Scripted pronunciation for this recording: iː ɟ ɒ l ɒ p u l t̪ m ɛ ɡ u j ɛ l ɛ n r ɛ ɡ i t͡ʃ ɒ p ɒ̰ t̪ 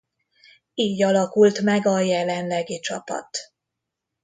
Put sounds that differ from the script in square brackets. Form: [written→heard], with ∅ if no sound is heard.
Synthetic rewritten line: iː ɟ ɒ l ɒ [p→k] u l t̪ m ɛ ɡ [u→ɒ] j ɛ l ɛ n [r→l] ɛ ɡ i t͡ʃ ɒ p ɒ̰ t̪